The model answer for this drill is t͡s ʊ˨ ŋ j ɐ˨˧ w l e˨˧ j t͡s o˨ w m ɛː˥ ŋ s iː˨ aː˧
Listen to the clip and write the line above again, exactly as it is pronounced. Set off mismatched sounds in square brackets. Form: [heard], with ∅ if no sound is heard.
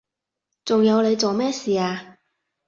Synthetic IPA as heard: t͡s ʊ˨ ŋ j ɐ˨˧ w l e˨˧ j t͡s o˨ w m ɛː˥ [∅] s iː˨ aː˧

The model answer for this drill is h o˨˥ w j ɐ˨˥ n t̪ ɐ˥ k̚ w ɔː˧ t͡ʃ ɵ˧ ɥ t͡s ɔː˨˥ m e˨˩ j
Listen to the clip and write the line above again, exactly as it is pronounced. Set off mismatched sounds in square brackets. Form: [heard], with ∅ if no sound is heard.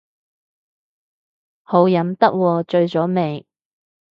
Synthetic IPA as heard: h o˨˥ w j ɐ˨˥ [m] t̪ ɐ˥ k̚ w ɔː˧ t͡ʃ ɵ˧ ɥ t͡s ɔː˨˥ m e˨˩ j

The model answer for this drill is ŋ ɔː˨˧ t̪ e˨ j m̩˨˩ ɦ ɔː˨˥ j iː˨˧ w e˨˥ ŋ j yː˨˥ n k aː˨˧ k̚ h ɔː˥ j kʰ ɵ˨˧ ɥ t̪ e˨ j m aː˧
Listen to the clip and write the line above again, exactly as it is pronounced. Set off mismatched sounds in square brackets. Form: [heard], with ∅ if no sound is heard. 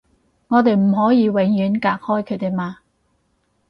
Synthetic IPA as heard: ŋ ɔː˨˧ t̪ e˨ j m̩˨˩ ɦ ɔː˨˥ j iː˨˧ w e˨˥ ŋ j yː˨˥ n k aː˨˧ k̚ h ɔː˥ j kʰ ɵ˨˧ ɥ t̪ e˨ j m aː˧

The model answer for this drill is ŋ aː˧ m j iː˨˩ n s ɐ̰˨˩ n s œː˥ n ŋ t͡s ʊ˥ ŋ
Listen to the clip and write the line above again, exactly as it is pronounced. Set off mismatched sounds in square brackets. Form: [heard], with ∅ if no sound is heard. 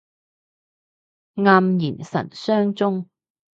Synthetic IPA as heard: ŋ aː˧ m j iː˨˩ n s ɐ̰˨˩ n s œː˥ [∅] ŋ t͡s ʊ˥ ŋ

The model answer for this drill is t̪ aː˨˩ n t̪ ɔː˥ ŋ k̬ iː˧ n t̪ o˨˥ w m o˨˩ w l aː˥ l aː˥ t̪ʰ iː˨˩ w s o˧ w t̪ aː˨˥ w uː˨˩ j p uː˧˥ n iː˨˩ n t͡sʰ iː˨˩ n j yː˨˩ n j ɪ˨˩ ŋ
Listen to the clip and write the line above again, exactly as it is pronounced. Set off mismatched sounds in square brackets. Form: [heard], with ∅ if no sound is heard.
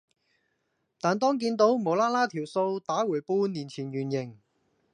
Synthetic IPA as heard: t̪ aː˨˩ n t̪ ɔː˥ ŋ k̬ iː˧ n t̪ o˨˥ w m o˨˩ w l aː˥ l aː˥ t̪ʰ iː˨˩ w s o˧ w t̪ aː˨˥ w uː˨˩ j p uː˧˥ n iː˨˩ n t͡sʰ iː˨˩ n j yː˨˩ n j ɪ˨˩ ŋ

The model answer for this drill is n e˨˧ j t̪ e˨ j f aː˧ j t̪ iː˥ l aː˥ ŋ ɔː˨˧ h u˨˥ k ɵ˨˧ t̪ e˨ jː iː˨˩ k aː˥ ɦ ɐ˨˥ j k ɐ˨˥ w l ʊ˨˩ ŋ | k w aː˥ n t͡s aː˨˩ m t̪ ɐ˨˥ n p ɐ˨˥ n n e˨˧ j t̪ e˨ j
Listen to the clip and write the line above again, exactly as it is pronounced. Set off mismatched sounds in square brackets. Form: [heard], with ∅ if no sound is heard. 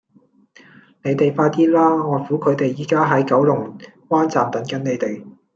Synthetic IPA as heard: n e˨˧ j t̪ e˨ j f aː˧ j t̪ iː˥ l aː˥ ŋ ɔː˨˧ [f] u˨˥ [kʰ] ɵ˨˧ t̪ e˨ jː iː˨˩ k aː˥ ɦ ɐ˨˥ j k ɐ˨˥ w l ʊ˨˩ ŋ | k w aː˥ n t͡s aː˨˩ m t̪ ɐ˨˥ n [k] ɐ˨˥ n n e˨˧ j t̪ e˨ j

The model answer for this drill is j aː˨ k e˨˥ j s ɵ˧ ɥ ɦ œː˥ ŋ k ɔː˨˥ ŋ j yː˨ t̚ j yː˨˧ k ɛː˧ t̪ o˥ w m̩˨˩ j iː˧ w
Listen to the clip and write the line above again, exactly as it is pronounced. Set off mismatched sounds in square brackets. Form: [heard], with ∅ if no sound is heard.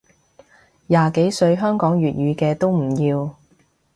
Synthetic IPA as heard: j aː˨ k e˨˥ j s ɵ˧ ɥ ɦ œː˥ ŋ k ɔː˨˥ ŋ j yː˨ t̚ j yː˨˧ k ɛː˧ t̪ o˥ w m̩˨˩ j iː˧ w

